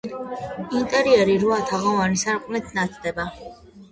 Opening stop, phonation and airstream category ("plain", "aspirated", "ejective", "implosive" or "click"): ejective